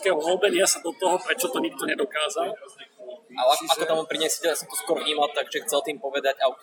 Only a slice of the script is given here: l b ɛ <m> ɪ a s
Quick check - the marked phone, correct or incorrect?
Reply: incorrect